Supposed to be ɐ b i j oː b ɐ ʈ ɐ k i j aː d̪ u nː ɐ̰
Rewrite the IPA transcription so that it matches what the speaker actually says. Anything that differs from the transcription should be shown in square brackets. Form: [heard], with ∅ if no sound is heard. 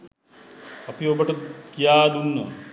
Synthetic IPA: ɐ [p] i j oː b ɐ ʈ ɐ k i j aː d̪ u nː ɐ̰

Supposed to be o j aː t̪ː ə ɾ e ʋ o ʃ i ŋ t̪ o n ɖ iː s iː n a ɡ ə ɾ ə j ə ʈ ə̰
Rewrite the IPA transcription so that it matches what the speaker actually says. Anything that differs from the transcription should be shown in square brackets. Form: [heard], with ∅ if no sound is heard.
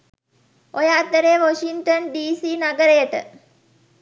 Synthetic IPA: o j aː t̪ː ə ɾ e ʋ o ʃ i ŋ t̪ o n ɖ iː s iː n a ɡ ə ɾ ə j ə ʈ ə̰

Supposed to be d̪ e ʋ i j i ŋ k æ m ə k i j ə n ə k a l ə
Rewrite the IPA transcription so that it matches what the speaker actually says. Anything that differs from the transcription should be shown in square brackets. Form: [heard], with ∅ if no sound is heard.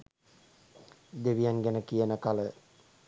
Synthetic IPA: d̪ e ʋ i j [a] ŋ [ɡ] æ [n] ə k i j ə n ə k a l ə

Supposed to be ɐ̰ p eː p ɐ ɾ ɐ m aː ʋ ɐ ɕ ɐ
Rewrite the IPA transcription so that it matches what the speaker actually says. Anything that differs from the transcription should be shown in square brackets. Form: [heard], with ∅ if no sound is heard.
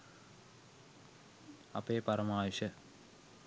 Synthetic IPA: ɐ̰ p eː p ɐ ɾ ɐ m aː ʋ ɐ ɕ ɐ

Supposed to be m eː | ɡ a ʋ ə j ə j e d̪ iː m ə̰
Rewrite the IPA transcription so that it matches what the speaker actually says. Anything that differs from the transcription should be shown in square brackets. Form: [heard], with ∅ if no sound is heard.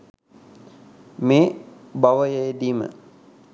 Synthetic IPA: m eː | [b] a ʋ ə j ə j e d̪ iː m ə̰

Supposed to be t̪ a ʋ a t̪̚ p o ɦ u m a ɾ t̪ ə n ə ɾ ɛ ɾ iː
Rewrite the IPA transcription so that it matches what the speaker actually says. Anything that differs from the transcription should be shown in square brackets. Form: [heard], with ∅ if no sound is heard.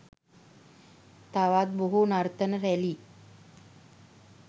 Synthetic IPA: t̪ a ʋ a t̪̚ [b] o ɦ u [n] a ɾ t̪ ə n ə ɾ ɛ [l] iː

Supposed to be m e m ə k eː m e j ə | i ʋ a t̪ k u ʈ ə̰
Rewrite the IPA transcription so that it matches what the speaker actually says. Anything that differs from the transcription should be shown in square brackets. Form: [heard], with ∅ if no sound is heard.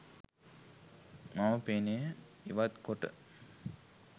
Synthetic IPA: m [a] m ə [p] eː [n] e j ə | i ʋ a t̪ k [o] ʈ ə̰

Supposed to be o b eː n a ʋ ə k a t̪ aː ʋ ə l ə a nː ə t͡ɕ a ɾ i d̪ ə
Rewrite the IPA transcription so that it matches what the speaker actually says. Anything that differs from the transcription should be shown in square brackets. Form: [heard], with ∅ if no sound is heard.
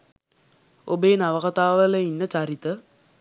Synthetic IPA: o b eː n a ʋ ə k a t̪ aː ʋ ə l ə [i] nː ə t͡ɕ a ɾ i [t̪] ə

